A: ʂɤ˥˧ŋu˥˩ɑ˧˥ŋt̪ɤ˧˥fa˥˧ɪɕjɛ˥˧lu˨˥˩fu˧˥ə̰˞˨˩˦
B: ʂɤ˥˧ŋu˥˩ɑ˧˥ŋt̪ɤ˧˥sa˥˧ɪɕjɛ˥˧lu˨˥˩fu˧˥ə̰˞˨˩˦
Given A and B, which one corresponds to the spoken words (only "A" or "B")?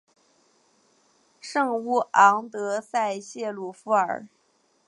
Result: B